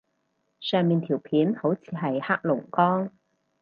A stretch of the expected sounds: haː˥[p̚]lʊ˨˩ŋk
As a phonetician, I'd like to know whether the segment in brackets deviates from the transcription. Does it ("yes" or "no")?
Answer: yes